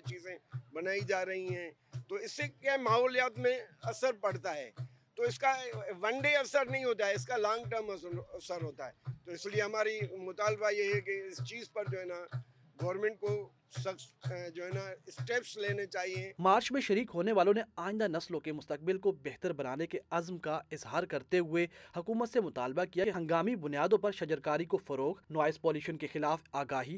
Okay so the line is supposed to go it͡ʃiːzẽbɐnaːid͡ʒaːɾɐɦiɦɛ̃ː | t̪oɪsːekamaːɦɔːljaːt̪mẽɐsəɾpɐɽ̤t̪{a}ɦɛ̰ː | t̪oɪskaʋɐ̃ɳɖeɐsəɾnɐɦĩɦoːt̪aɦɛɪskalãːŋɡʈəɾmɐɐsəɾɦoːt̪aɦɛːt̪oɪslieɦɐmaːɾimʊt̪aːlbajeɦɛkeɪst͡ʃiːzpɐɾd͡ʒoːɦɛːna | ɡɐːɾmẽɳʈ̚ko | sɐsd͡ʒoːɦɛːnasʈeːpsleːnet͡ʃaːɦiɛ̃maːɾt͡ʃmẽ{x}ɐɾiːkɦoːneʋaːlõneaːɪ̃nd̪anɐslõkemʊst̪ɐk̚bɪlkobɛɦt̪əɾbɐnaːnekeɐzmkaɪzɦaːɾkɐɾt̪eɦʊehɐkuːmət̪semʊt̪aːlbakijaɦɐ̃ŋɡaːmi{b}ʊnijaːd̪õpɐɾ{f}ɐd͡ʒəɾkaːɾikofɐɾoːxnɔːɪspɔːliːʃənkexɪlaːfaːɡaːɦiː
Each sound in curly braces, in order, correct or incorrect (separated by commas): correct, incorrect, correct, incorrect